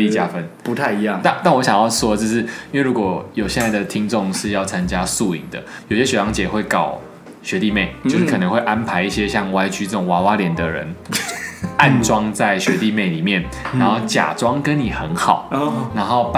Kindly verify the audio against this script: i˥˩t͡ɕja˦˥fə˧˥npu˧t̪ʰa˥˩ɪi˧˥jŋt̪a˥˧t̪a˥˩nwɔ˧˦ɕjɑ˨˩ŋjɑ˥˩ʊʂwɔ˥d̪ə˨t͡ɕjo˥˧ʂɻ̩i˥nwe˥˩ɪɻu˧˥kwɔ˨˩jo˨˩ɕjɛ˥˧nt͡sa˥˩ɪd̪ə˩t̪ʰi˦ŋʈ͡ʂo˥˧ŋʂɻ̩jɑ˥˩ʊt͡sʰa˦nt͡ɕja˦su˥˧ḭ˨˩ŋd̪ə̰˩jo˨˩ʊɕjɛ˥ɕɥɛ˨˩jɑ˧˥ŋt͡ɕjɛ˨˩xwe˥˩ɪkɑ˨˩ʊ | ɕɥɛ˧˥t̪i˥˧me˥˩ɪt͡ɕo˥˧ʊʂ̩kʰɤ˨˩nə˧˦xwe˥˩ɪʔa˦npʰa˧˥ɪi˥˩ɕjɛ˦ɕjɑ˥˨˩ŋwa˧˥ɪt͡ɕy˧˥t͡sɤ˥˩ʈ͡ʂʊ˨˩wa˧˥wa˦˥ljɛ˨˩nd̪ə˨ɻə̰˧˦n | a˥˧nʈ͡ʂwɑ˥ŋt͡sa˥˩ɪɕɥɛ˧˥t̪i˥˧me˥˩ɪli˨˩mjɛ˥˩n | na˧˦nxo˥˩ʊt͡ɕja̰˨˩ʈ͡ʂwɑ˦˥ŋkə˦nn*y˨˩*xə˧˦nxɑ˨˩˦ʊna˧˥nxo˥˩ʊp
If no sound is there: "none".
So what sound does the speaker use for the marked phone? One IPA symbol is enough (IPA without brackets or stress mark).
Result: i˨˩